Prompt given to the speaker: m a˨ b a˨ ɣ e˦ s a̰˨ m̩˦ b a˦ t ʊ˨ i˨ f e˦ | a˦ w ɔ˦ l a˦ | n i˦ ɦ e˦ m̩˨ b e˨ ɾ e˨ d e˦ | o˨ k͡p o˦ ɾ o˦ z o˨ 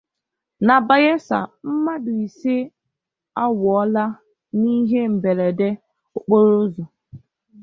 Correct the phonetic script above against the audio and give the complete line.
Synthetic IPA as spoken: n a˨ b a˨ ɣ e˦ s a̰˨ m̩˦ m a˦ d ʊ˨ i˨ s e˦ | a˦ w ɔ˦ l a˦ | n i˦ ɦ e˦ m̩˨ b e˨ ɾ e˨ d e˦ | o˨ k͡p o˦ ɾ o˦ z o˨